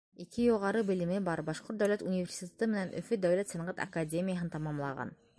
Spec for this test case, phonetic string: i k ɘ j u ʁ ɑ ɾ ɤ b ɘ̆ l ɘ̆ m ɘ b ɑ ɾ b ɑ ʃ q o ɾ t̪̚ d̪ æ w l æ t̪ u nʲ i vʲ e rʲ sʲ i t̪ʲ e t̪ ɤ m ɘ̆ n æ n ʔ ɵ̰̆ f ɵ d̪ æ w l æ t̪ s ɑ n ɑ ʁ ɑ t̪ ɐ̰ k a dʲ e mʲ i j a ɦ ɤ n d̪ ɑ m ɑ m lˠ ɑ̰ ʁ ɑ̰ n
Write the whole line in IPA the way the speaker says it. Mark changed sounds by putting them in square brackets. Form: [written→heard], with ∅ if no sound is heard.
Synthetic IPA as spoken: i k ɘ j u ʁ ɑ ɾ ɤ b ɘ̆ l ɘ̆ m ɘ b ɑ ɾ b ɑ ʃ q o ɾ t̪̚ d̪ æ w l æ t̪ u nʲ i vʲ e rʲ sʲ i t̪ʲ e t̪ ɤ m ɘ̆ n æ n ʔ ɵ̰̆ f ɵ d̪ æ w l æ t̪ s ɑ n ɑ ʁ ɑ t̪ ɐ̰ k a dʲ e mʲ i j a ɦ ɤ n [d̪→t̪] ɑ m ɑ m lˠ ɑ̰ ʁ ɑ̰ n